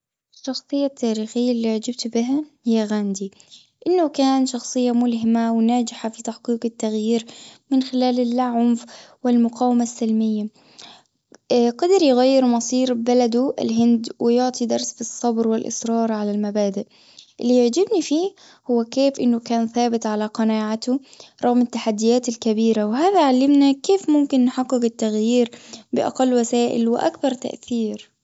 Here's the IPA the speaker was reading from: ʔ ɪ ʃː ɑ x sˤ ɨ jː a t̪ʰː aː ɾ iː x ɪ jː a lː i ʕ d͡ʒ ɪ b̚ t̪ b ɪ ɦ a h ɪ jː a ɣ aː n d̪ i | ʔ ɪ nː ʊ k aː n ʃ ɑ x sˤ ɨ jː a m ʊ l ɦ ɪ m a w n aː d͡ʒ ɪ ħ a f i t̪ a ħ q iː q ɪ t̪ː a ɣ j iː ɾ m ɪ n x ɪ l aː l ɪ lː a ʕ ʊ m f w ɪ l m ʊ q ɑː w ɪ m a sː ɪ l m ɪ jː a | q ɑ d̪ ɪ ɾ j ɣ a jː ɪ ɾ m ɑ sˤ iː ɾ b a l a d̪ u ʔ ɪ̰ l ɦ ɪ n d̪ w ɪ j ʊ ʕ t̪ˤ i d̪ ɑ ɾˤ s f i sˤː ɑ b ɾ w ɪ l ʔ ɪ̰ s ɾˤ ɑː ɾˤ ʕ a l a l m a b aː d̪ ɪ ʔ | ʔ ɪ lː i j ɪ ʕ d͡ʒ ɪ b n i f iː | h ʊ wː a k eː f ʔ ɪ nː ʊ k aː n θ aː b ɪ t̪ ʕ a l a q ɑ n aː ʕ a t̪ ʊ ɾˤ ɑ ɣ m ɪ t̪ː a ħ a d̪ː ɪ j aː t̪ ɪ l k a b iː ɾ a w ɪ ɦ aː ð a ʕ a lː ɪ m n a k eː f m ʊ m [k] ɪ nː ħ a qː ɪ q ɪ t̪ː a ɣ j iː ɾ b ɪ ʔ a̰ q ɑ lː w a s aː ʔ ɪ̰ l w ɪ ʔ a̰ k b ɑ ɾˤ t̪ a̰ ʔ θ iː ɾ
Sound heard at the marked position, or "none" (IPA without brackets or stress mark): k